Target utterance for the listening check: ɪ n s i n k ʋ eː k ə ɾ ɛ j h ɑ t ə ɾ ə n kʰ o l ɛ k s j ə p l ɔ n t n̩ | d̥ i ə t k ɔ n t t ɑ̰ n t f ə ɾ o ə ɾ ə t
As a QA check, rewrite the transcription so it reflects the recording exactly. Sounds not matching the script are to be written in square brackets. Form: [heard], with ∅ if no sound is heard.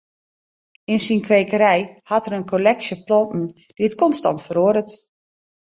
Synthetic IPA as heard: ɪ n s i n k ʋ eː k ə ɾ ɛ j h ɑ t ə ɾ ə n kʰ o l ɛ k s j ə p l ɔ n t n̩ | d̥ i ə t k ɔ n [s] t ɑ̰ n t f ə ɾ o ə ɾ ə t